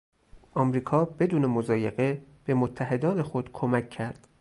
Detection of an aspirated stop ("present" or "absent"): present